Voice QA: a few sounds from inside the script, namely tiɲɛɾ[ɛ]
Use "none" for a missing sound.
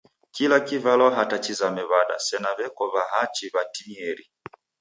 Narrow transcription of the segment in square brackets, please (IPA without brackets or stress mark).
i